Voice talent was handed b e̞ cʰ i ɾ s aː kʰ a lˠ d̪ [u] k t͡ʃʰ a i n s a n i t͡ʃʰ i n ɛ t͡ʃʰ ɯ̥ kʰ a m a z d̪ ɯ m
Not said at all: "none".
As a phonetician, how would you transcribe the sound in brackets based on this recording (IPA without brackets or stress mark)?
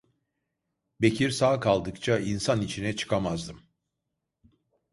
ɯ